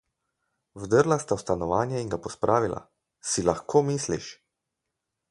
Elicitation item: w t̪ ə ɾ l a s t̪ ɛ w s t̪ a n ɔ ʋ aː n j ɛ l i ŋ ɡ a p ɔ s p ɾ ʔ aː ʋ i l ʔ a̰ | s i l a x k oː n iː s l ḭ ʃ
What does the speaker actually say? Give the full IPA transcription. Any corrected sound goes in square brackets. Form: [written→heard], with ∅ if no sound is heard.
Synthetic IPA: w [t̪→d̪] ə ɾ l a s t̪ [ɛ→a] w s t̪ a n ɔ ʋ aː n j ɛ [l→∅] i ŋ ɡ a p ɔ s p ɾ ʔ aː ʋ i l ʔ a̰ | s i l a x k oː [n→m] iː s l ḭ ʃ

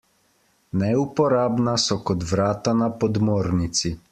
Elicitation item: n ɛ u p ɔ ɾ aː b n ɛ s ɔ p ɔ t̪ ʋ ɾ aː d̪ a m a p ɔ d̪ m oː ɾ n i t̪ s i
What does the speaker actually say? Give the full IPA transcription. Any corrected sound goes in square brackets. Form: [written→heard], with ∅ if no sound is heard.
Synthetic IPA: n ɛ u p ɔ ɾ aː b n [ɛ→a] s ɔ [p→k] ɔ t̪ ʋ ɾ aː [d̪→t̪] a [m→n] a p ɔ d̪ m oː ɾ n i t̪ s i

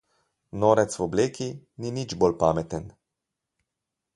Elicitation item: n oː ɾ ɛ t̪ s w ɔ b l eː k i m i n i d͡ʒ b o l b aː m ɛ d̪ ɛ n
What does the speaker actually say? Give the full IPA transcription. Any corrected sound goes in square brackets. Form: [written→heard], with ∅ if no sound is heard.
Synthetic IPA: n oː ɾ ɛ t̪ s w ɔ b l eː k i [m→n] i n i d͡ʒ b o l [b→p] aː m ɛ [d̪→t̪] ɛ n

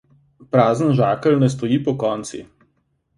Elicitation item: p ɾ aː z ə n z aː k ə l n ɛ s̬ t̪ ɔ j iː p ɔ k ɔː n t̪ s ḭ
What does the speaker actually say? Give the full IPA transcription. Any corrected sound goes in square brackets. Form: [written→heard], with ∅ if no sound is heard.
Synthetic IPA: p ɾ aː z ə n [z→ʒ] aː k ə l n ɛ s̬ t̪ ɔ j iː p ɔ k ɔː n t̪ s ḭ

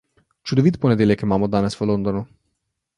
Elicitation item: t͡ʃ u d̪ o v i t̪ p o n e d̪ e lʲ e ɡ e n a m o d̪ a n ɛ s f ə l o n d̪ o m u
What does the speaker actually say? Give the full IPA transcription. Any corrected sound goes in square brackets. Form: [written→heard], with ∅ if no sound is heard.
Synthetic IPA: t͡ʃ u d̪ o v i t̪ p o n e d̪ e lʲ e [ɡ→k] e [n→m] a m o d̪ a n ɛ s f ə l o n d̪ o [m→n] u

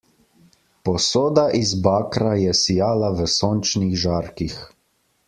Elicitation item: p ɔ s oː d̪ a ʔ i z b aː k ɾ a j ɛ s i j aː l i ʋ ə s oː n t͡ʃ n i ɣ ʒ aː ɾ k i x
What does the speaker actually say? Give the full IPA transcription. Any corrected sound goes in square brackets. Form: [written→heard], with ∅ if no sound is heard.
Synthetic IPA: p ɔ s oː d̪ a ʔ i z b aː k ɾ a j ɛ s i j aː l [i→a] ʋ ə s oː n t͡ʃ n i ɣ ʒ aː ɾ k i x

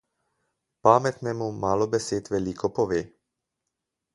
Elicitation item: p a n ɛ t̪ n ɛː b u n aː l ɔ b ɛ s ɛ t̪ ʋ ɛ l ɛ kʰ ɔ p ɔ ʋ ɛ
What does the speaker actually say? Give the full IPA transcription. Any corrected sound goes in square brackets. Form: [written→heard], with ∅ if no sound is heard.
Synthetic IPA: p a [n→m] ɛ t̪ n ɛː [b→m] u [n→m] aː l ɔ b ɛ s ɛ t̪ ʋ ɛ l [ɛ→i] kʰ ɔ p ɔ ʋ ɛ

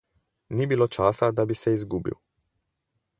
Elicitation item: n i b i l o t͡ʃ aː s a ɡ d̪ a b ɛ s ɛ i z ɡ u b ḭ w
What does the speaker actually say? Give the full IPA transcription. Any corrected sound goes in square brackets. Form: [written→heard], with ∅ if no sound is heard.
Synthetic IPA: n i b i l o t͡ʃ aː s a [ɡ→∅] d̪ a b [ɛ→i] s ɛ i z ɡ u b ḭ w

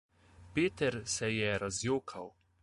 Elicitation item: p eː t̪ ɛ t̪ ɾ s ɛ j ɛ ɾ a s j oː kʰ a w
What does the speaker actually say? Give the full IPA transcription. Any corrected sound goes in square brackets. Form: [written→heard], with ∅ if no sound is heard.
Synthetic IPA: p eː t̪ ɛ [t̪→∅] ɾ s ɛ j ɛ ɾ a [s→z] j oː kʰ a w

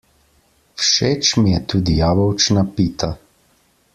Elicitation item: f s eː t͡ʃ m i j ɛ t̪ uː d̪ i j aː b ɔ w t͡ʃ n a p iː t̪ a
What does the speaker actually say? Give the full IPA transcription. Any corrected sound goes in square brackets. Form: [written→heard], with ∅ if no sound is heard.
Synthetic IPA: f [s→ʃ] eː t͡ʃ m i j ɛ t̪ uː d̪ i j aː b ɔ w t͡ʃ n a p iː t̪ a

